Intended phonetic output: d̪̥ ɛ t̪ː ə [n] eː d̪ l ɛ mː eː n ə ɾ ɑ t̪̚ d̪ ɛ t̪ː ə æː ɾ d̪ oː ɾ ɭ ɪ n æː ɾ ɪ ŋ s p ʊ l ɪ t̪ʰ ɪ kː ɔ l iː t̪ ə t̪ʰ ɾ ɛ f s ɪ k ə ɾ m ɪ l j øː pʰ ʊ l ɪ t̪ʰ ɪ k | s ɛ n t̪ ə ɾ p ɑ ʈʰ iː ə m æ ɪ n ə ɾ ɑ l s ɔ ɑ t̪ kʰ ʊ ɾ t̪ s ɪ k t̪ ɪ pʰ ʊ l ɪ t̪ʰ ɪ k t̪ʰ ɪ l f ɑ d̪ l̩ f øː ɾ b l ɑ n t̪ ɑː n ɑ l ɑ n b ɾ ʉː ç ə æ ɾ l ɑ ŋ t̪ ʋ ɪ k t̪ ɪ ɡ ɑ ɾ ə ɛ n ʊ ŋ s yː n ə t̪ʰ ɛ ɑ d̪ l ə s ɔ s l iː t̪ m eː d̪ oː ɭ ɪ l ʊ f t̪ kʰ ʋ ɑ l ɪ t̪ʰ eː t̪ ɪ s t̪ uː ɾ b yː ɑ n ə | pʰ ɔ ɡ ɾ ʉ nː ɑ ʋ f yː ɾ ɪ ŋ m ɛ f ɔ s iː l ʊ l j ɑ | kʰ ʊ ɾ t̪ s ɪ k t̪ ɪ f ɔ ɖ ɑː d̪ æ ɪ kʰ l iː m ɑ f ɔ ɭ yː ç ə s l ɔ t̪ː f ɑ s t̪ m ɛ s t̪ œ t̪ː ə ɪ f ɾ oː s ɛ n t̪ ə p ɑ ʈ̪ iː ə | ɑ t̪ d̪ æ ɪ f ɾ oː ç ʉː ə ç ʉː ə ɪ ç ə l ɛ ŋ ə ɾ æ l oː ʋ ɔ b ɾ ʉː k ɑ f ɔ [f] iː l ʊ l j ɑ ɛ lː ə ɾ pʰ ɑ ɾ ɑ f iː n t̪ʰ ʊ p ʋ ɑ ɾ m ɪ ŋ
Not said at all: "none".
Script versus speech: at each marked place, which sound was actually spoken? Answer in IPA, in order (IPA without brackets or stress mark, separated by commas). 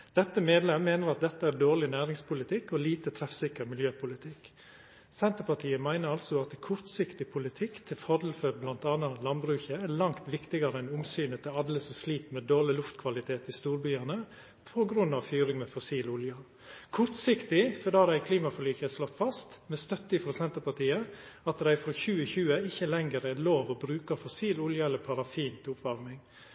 m, s